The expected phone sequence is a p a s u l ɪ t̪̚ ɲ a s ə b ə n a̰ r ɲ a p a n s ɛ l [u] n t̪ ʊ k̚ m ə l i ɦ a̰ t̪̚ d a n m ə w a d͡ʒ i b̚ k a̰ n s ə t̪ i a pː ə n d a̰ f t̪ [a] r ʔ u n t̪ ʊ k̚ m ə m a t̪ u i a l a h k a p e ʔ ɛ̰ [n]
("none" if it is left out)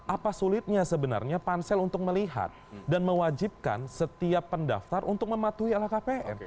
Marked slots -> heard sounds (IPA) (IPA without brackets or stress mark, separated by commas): u, a, n